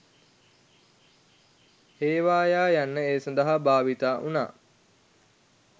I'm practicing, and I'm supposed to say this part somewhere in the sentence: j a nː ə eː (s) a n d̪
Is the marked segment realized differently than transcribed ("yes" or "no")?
no